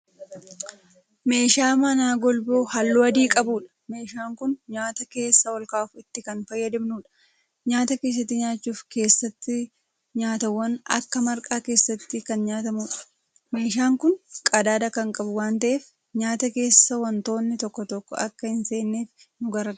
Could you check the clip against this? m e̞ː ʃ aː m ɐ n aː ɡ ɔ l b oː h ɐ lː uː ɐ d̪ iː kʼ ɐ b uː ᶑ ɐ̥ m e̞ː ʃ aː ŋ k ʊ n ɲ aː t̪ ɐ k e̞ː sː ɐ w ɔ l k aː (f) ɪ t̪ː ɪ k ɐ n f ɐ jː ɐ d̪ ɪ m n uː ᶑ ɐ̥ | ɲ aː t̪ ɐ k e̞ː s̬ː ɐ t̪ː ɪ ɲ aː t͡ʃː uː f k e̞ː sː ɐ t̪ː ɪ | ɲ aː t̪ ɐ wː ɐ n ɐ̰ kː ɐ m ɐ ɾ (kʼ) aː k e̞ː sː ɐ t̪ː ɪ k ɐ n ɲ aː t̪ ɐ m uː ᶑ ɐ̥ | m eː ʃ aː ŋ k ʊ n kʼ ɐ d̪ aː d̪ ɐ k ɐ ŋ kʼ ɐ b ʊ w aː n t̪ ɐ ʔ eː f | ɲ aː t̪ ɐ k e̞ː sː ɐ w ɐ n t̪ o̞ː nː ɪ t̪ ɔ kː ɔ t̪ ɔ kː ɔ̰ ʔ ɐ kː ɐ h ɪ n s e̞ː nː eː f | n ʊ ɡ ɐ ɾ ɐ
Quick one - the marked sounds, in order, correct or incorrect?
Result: correct, correct

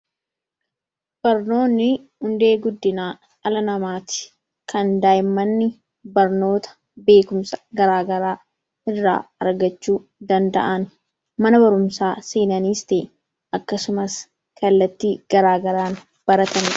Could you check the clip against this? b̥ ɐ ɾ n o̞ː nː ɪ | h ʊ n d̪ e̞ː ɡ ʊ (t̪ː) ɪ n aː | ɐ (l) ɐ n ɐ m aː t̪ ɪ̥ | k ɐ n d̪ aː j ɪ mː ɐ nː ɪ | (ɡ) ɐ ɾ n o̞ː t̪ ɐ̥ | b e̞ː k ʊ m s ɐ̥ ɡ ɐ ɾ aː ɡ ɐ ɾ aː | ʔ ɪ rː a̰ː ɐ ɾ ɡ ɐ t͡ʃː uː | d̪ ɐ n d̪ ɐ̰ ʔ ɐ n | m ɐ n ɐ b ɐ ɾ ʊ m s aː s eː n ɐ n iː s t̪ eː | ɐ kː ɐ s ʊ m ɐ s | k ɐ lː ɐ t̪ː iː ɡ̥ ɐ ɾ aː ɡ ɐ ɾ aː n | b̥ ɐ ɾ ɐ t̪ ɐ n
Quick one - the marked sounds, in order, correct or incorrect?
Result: incorrect, correct, incorrect

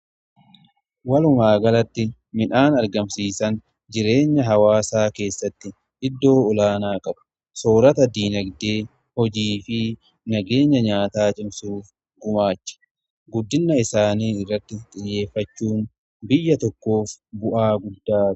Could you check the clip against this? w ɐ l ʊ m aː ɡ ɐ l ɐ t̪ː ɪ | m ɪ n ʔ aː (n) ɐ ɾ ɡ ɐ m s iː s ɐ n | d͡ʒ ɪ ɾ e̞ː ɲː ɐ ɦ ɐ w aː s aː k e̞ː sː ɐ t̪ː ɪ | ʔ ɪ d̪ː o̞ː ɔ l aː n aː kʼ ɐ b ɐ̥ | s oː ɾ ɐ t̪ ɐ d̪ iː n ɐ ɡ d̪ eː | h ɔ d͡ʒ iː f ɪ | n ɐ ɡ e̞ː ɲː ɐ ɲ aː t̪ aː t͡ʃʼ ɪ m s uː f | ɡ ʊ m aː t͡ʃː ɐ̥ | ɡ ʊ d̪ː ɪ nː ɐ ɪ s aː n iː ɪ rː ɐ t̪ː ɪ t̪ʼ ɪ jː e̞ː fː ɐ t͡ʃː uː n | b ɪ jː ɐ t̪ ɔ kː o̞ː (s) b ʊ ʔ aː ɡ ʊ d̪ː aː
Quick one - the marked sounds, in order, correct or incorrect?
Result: correct, incorrect

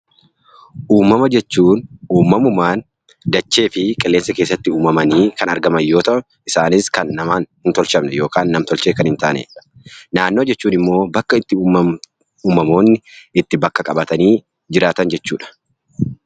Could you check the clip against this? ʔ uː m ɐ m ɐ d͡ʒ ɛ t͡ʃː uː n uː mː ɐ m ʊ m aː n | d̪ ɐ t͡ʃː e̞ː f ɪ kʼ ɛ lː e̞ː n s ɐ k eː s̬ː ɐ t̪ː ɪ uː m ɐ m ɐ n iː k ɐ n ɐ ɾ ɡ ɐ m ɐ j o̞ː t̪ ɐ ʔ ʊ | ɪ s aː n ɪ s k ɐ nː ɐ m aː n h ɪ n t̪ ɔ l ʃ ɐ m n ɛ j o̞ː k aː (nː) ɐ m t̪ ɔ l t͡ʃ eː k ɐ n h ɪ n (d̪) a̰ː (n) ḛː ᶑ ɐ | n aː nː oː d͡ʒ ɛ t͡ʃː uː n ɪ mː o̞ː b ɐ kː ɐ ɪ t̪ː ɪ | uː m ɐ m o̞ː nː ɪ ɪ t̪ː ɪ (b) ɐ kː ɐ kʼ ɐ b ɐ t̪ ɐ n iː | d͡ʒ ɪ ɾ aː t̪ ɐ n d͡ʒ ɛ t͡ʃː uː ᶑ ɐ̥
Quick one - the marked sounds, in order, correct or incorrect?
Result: correct, incorrect, correct, correct

